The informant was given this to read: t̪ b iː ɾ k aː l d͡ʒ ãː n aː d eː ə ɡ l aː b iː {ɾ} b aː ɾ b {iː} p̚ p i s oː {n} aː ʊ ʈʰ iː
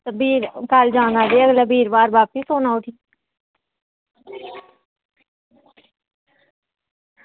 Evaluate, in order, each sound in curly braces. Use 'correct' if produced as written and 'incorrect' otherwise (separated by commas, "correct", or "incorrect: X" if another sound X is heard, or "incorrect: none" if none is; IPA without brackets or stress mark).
correct, incorrect: aː, correct